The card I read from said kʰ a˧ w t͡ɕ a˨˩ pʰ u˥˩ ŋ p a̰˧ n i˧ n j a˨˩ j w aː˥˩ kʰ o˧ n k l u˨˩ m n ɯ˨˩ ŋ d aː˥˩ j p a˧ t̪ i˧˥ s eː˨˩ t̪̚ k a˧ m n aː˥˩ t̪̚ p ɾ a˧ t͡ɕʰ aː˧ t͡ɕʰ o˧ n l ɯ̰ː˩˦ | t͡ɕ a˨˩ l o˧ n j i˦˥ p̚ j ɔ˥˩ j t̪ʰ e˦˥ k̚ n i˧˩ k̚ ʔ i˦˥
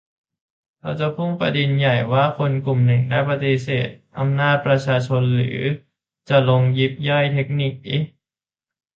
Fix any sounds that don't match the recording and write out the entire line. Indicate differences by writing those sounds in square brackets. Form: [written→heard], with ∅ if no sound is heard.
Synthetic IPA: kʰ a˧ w t͡ɕ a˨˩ pʰ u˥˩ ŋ p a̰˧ [n→d] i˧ n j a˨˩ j w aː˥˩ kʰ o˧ n k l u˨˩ m n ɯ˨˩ ŋ d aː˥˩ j p a˧ t̪ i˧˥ s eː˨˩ t̪̚ [k→ʔ] a˧ m n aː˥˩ t̪̚ p ɾ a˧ t͡ɕʰ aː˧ t͡ɕʰ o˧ n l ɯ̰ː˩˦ | t͡ɕ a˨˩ l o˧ [n→ŋ] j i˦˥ p̚ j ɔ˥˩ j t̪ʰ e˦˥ k̚ n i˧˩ k̚ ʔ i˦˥